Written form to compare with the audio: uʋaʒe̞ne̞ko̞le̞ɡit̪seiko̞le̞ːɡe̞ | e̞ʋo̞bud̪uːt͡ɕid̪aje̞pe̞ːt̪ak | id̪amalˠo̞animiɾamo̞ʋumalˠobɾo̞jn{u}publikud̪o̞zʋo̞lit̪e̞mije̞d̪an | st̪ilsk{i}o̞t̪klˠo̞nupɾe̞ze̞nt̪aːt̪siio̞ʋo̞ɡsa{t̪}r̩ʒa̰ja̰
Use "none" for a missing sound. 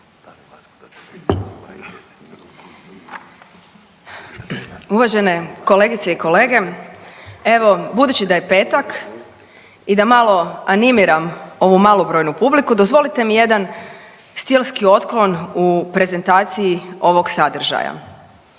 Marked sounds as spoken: u, i, d̪

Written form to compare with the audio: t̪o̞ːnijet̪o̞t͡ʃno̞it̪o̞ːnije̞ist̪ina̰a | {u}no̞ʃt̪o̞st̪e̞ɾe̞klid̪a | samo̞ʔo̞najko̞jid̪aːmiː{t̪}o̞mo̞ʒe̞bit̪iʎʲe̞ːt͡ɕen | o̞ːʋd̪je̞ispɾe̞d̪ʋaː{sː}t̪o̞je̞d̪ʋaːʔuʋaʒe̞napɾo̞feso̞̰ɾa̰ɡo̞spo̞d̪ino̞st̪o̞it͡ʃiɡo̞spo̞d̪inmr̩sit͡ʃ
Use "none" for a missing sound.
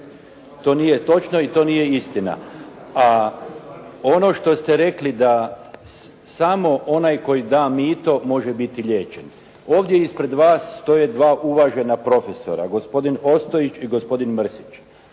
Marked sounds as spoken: o, t̪, sː

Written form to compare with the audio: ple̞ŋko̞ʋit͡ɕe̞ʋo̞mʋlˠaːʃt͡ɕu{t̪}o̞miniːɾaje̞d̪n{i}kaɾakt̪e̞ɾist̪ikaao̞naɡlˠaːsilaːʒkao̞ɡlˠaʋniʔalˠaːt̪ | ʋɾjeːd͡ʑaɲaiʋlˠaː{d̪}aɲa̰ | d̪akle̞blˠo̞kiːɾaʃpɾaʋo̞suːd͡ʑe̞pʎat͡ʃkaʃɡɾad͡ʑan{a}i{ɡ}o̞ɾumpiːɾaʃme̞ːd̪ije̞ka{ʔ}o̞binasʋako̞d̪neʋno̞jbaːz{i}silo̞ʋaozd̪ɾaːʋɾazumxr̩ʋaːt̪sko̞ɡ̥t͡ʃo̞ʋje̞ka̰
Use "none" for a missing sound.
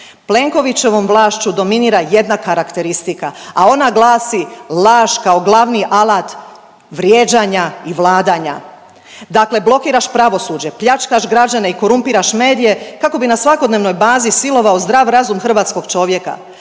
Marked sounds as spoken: d̪, a, d̪, e, k, k, i

